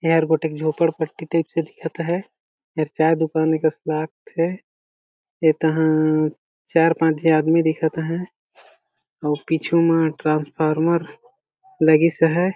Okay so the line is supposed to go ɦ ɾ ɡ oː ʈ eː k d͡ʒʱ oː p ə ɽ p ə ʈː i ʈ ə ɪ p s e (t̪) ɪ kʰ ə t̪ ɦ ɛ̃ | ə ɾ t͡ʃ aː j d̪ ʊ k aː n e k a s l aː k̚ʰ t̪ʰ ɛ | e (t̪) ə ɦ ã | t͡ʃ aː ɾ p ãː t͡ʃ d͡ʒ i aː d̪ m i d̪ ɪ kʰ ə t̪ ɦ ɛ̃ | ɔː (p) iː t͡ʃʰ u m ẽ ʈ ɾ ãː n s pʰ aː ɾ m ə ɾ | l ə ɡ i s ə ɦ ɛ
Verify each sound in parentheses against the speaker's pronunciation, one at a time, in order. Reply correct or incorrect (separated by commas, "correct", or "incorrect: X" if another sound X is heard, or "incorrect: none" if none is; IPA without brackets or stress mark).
incorrect: d̪, correct, correct